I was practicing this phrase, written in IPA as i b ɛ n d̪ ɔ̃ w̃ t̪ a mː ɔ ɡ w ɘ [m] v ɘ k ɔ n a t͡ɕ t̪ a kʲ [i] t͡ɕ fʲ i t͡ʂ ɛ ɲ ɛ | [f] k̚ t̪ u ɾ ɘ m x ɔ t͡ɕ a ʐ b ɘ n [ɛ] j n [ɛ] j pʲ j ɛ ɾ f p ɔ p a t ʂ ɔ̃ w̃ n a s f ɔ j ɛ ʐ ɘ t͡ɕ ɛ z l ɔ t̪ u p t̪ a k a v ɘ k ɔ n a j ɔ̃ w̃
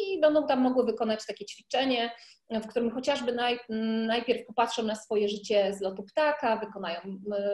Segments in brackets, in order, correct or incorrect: incorrect: none, incorrect: ɛ, correct, incorrect: a, incorrect: a

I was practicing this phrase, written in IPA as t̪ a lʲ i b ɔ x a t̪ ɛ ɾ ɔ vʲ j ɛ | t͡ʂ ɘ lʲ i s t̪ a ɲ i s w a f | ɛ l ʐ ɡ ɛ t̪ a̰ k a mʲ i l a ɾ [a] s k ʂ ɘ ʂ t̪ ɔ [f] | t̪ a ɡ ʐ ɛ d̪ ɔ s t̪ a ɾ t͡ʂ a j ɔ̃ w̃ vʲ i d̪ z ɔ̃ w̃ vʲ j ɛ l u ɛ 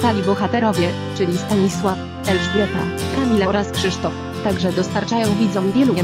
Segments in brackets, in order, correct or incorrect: correct, correct

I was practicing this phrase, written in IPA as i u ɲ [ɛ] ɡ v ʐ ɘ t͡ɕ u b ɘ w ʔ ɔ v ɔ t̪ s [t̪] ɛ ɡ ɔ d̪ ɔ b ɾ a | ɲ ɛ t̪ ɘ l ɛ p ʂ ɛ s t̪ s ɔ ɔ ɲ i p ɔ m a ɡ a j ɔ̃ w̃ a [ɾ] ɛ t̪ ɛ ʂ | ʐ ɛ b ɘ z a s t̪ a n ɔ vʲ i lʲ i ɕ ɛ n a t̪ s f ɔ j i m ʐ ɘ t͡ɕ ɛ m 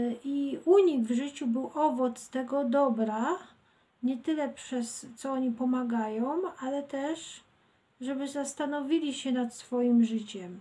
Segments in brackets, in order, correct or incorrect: incorrect: i, correct, incorrect: l

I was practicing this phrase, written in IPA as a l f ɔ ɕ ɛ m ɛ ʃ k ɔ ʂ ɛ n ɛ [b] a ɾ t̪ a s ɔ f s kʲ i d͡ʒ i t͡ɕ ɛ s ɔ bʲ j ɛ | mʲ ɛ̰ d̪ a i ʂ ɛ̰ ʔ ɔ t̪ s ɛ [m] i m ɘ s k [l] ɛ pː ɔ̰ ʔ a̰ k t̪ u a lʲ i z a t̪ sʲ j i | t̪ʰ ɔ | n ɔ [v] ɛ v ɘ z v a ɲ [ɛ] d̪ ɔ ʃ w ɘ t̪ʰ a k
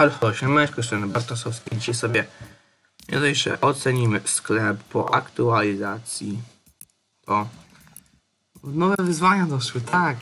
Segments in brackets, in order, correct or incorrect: correct, incorrect: ɲ, correct, correct, incorrect: a

